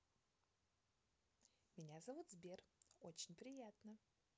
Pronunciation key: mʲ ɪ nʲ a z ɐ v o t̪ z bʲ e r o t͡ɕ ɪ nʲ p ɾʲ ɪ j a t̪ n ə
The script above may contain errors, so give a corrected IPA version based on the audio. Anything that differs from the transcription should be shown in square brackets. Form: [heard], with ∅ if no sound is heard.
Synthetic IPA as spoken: mʲ ɪ nʲ a z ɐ v [u] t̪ z bʲ e r o t͡ɕ ɪ nʲ p ɾʲ ɪ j a t̪ n ə

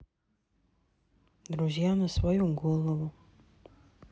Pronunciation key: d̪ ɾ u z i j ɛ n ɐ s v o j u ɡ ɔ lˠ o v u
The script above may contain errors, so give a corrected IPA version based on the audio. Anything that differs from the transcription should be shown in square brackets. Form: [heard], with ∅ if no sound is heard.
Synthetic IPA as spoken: d̪ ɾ u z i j [a] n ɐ s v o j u ɡ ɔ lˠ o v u

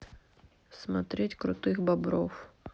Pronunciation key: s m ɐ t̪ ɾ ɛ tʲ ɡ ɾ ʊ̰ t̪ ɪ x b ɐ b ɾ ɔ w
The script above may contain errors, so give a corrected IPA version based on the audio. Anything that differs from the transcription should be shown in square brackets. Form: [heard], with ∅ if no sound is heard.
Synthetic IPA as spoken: s m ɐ t̪ ɾ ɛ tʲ [k] ɾ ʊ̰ t̪ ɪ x b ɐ b ɾ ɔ w

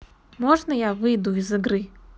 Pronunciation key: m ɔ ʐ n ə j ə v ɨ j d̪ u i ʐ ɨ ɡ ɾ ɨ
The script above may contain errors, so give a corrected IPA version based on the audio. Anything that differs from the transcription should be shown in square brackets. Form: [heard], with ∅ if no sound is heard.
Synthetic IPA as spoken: m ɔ ʐ n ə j [a] v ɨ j d̪ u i [z] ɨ ɡ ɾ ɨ

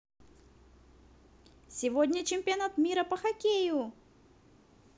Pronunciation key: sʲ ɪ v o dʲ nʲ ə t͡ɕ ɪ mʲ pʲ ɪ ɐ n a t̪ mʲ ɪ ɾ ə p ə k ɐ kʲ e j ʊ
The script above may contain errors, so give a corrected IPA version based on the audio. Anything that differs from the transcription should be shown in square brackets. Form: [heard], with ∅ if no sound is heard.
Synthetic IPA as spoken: sʲ ɪ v o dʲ nʲ ə t͡ɕ ɪ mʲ pʲ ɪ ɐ n a t̪ mʲ [i] ɾ ə p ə [x] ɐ kʲ e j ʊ

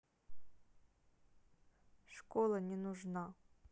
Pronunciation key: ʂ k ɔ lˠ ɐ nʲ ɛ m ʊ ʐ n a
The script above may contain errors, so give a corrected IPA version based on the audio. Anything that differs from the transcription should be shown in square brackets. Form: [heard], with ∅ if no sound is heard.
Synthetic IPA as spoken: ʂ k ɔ lˠ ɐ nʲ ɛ [n] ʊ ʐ n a

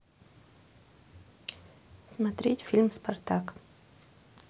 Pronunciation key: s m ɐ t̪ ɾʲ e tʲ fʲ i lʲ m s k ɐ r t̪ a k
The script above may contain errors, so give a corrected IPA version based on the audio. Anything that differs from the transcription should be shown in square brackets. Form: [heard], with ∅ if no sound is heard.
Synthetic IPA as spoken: s m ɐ t̪ ɾʲ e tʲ fʲ i lʲ m s [p] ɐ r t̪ a k

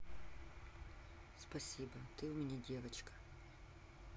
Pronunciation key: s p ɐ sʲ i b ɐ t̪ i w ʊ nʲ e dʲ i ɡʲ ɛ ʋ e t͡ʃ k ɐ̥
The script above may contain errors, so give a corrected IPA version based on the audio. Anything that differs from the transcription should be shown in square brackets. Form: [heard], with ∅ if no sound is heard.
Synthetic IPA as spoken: s p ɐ sʲ i b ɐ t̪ [ɪ] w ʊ [mʲ] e [nʲ] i [dʲ] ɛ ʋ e t͡ʃ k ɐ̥

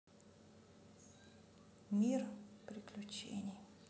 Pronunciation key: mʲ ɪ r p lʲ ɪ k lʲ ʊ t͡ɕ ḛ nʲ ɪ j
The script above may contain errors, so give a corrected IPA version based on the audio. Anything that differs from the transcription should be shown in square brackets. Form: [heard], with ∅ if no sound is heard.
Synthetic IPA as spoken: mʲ [i] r p [ɾʲ] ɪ k lʲ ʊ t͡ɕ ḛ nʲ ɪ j

